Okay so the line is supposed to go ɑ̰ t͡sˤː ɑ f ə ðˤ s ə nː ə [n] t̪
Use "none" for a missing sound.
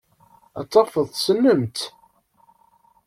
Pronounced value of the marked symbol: m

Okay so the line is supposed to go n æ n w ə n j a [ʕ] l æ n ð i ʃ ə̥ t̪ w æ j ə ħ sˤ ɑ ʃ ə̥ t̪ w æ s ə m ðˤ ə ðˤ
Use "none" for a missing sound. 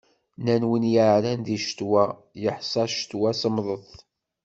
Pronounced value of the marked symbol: ʕ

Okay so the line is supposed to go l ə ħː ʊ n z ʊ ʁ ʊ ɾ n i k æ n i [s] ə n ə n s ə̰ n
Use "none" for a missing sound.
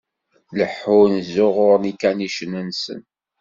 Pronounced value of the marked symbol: ʃ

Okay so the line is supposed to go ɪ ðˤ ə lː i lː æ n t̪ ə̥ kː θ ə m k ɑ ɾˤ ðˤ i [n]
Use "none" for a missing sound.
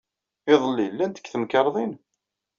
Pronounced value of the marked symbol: n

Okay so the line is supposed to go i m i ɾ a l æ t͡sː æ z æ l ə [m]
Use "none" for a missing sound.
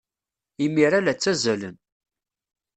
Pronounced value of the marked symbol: n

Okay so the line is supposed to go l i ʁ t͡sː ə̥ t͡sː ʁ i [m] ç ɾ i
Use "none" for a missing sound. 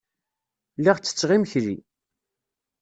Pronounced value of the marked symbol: m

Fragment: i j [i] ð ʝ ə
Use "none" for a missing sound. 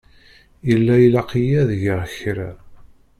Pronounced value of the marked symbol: æ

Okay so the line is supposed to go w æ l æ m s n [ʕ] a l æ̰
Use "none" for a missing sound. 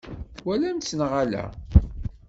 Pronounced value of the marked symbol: ʁ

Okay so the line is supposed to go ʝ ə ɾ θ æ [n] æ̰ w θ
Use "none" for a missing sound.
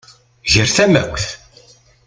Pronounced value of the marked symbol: m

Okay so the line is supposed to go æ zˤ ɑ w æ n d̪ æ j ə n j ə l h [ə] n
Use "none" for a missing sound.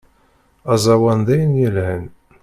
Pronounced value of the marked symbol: ə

